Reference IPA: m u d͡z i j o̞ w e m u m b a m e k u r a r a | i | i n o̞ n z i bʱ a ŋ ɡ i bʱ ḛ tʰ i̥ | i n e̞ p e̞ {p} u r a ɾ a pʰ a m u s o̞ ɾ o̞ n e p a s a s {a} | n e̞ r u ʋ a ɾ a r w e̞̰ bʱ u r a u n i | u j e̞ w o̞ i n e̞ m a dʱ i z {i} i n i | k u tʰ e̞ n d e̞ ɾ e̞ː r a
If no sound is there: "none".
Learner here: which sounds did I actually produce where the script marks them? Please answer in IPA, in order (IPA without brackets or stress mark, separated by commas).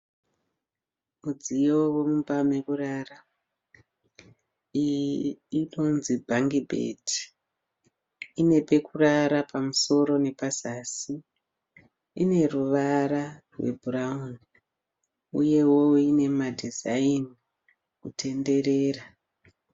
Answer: k, i, a